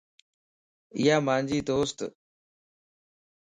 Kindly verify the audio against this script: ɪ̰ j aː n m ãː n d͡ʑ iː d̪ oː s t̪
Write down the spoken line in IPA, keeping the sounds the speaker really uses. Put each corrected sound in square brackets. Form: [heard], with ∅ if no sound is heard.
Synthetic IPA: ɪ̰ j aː [∅] m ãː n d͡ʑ iː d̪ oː s t̪